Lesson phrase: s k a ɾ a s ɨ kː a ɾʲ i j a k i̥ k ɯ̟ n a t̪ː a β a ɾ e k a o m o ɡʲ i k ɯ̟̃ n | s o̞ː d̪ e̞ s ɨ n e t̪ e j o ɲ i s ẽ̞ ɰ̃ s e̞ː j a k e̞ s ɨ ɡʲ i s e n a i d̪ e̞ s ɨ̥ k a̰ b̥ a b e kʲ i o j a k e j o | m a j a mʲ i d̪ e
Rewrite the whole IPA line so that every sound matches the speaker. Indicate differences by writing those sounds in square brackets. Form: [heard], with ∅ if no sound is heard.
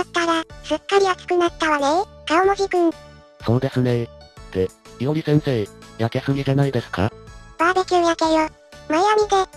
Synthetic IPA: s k a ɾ a s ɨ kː a ɾʲ i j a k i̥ k ɯ̟ n a t̪ː a β a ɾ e k a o m o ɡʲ i k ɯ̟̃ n | s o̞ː d̪ e̞ s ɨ n e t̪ e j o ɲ i s ẽ̞ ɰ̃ s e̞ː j a k e̞ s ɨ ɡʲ i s e n a i d̪ e̞ s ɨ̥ k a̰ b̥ a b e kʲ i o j a k e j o | m a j a mʲ i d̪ e